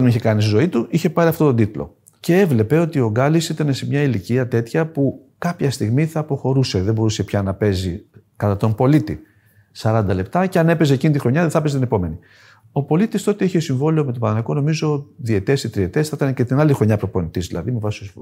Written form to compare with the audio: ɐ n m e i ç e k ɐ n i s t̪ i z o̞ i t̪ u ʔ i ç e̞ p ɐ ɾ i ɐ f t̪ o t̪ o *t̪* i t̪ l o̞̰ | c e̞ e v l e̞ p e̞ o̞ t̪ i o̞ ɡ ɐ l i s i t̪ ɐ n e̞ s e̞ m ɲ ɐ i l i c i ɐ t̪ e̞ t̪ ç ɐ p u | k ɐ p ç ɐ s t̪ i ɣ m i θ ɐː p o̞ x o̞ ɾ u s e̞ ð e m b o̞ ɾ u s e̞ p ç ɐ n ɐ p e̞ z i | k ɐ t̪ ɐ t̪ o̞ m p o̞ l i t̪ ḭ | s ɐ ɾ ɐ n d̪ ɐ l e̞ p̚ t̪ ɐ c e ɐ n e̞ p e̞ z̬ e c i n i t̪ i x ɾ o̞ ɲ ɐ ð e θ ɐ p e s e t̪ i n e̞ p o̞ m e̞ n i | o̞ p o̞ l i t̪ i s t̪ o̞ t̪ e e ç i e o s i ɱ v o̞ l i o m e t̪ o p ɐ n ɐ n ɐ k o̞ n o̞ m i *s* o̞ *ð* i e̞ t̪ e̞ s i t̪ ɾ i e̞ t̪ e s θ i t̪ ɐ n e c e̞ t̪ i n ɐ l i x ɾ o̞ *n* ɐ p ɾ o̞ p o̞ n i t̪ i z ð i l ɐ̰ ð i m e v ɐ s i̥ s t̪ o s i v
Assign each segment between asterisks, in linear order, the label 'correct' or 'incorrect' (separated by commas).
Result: incorrect, incorrect, correct, incorrect